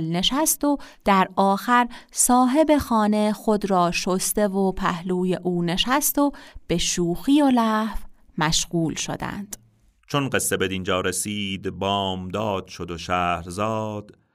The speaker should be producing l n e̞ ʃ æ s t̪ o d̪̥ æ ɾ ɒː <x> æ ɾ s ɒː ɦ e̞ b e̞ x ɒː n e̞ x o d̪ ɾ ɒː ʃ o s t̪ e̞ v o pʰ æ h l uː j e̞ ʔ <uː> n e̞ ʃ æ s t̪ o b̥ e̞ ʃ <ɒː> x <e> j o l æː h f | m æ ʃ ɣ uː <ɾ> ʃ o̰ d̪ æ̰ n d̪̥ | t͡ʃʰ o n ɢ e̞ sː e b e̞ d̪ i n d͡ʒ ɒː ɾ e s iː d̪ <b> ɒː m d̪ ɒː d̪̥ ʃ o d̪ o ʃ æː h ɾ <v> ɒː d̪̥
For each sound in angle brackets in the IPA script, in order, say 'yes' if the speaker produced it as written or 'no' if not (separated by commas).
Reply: yes, yes, no, no, no, yes, no